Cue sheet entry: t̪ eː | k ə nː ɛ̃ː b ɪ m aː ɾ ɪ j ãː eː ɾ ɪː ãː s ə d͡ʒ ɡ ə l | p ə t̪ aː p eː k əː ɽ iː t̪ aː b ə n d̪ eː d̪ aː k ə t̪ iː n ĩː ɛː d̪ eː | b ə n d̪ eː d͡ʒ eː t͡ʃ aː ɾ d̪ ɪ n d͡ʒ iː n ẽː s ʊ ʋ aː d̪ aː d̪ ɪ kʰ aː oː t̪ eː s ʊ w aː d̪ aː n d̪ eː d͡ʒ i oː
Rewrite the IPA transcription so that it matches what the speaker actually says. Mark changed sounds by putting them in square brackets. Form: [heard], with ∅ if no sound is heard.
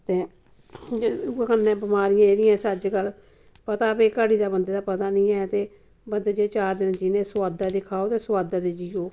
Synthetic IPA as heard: t̪ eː | k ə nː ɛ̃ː b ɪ m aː ɾ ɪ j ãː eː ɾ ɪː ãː s ə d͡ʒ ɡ ə l | p ə t̪ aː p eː k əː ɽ iː [d̪] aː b ə n d̪ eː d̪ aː [p] ə t̪ [aː] n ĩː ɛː [t̪] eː | b ə n d̪ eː d͡ʒ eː t͡ʃ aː ɾ d̪ ɪ n d͡ʒ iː n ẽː s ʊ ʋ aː d̪ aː d̪ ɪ kʰ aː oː t̪ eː s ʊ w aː d̪ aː [∅] d̪ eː d͡ʒ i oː